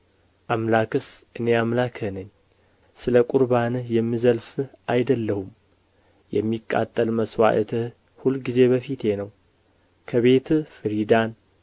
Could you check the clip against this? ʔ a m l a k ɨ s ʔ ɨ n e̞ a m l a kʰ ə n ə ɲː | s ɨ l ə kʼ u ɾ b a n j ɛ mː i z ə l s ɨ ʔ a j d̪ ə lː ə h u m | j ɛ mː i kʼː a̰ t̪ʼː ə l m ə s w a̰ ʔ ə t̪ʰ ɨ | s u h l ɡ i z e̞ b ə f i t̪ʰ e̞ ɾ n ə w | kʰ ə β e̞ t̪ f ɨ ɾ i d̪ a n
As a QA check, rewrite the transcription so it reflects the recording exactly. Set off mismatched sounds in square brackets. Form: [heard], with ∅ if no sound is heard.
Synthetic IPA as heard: ʔ a m l a k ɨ s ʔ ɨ n e̞ a m l a kʰ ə n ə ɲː | s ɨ l ə kʼ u ɾ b a n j ɛ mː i z ə l [f] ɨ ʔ a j d̪ ə lː ə h u m | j ɛ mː i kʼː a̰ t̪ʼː ə l m ə s w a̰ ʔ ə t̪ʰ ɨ | [h] u [∅] l ɡ i z e̞ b ə f i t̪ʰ e̞ [∅] n ə w | kʰ ə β e̞ t̪ f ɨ ɾ i d̪ a n